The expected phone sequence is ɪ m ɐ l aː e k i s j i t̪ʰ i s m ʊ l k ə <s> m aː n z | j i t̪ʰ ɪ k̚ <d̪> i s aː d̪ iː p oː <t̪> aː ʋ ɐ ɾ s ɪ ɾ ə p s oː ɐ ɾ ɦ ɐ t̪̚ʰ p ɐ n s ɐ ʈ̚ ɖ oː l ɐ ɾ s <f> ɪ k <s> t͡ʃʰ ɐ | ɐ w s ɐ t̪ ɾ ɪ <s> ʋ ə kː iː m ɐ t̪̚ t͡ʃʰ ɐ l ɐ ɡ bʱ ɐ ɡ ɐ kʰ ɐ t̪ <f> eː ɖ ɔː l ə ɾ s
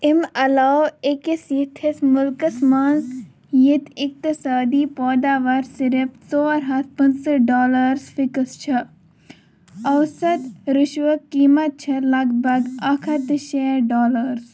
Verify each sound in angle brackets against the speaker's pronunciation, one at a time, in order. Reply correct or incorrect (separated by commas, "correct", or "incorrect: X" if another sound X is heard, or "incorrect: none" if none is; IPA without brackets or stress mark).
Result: correct, incorrect: t̪, incorrect: d̪, correct, correct, incorrect: ʃ, incorrect: ʃ